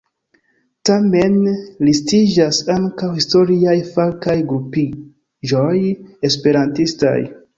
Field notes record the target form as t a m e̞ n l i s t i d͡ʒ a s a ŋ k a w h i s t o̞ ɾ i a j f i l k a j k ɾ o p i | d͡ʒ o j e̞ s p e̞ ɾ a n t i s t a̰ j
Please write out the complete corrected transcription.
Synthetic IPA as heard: t a m e̞ n l i s t i d͡ʒ a s a ŋ k a w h i s t o̞ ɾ i a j f a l k a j ɡ ɾ u p i | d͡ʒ o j e̞ s p e̞ ɾ a n t i s t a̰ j

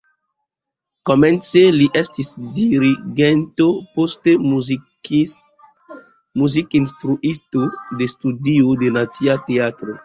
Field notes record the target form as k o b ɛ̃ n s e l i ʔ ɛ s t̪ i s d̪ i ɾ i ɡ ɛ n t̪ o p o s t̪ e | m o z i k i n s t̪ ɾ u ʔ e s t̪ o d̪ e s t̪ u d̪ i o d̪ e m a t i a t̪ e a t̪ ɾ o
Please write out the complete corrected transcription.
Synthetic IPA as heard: k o m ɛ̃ n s e l i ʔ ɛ s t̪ i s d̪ i ɾ i ɡ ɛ n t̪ o p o s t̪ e | m u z i k i n s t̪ ɾ u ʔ i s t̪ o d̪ e s t̪ u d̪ i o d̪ e n a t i a t̪ e a t̪ ɾ o

